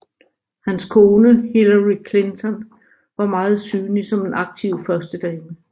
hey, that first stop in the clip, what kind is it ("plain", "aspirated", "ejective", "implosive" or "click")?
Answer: aspirated